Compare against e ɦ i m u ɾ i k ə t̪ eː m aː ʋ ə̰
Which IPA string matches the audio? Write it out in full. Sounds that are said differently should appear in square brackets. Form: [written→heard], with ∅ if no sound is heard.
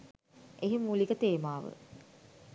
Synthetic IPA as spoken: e ɦ i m u [ɾ→l] i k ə t̪ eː m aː ʋ ə̰